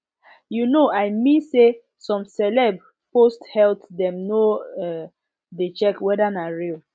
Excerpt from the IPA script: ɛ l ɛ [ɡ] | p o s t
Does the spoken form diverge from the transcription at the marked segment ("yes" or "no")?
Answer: yes